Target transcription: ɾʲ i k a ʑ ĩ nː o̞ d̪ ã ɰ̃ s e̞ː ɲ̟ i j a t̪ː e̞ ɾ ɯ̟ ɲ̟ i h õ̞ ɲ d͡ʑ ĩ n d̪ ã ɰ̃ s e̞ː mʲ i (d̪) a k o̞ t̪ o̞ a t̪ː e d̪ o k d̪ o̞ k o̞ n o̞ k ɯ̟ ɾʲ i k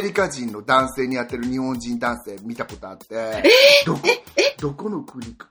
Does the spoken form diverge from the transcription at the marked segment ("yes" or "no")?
yes